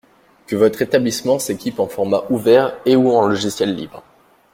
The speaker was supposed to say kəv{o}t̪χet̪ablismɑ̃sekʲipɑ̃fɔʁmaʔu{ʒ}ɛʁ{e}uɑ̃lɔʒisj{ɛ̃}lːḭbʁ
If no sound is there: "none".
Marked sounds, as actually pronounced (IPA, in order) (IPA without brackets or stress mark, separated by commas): ɔ, v, e, ɛ